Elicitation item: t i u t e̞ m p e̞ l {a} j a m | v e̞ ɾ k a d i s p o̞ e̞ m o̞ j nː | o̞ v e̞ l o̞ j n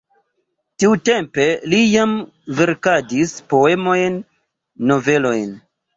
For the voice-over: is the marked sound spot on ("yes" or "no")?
no